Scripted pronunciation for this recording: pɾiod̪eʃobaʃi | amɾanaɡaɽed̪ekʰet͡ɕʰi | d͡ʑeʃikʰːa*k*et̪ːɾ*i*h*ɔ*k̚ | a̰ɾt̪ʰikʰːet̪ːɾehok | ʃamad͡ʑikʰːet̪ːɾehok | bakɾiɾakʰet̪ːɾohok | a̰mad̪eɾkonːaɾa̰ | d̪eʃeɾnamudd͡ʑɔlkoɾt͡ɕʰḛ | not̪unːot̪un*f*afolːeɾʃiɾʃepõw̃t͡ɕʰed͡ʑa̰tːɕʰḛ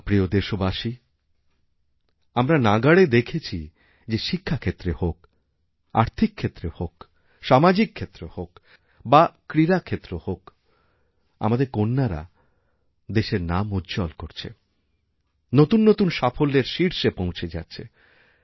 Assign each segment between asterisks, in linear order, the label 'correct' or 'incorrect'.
incorrect, incorrect, incorrect, incorrect

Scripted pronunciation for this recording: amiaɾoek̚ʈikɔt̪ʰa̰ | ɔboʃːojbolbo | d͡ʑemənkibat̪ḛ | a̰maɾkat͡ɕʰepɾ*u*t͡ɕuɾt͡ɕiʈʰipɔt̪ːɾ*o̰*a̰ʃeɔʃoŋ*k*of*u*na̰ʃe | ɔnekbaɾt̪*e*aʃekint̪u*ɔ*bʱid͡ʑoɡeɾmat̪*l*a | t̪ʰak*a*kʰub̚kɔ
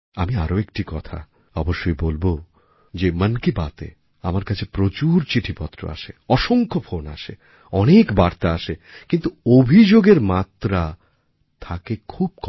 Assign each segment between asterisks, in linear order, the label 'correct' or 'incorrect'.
incorrect, correct, incorrect, incorrect, incorrect, incorrect, incorrect, incorrect

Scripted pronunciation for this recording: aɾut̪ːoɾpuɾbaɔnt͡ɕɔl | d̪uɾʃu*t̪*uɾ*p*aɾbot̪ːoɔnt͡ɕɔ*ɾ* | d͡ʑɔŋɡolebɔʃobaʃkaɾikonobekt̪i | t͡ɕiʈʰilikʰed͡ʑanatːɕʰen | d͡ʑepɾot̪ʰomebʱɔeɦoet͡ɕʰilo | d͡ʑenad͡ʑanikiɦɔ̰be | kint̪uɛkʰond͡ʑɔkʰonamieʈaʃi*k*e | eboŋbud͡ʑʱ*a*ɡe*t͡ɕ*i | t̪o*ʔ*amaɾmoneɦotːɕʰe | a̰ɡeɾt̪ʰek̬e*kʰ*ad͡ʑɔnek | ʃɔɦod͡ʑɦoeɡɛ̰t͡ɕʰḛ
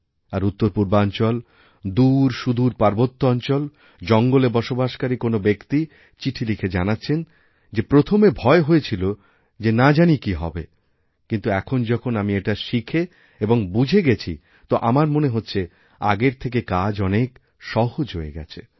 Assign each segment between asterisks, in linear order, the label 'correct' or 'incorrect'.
incorrect, correct, incorrect, incorrect, incorrect, incorrect, correct, incorrect

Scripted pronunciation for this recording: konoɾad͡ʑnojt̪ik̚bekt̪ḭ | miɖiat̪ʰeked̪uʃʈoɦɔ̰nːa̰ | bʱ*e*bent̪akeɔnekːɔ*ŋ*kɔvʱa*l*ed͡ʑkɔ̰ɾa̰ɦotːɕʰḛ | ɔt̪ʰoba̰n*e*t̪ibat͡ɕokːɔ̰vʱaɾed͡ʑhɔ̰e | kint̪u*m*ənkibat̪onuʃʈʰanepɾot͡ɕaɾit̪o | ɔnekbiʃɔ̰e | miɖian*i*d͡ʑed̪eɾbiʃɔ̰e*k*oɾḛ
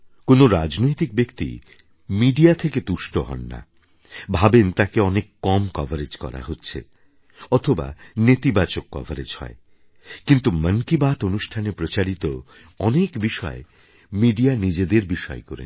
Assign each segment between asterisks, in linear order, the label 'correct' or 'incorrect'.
incorrect, incorrect, incorrect, correct, correct, correct, correct

